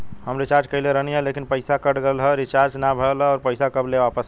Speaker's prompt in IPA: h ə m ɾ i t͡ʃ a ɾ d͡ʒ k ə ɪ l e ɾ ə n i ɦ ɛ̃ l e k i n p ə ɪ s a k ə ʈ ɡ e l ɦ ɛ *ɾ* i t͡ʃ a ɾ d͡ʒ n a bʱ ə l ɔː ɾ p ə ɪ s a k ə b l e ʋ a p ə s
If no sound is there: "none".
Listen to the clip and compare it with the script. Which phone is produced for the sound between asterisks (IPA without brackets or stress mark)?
ɾ